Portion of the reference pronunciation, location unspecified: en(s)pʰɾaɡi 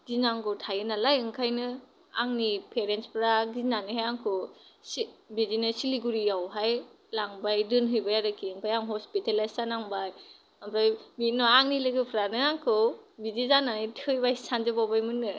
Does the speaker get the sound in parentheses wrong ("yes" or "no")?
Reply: no